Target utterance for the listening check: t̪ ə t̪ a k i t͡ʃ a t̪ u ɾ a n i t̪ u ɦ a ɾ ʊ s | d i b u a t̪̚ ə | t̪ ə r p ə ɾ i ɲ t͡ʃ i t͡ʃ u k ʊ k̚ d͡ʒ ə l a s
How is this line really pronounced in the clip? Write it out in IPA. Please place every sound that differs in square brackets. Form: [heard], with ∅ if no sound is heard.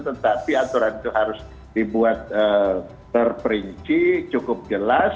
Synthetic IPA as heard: t̪ ə t̪ a [p] i [∅] a t̪ u ɾ a n i t̪ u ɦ a ɾ ʊ s | d i b u a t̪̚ ə | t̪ ə r p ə ɾ i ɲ t͡ʃ i t͡ʃ u k ʊ [p̚] d͡ʒ ə l a s